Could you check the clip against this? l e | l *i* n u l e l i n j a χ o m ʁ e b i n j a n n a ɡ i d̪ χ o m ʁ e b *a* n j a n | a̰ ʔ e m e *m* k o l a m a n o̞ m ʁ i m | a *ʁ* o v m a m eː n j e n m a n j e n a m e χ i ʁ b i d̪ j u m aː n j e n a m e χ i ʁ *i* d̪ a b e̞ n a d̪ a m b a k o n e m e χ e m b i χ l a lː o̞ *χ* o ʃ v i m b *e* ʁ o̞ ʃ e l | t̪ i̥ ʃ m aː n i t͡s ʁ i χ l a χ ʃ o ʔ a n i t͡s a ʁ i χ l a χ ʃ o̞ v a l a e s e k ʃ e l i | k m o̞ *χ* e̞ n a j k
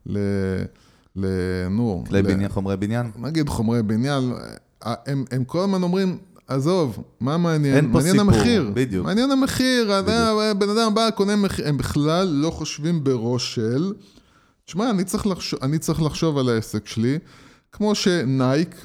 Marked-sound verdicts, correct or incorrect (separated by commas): incorrect, incorrect, correct, incorrect, incorrect, correct, correct, incorrect